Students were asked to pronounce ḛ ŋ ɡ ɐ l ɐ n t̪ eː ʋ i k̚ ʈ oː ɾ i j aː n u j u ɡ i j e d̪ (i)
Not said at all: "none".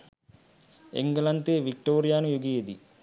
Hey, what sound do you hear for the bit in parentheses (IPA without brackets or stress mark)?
i